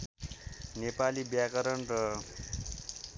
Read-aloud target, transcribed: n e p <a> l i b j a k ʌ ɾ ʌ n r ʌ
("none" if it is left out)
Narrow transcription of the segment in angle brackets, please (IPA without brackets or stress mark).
a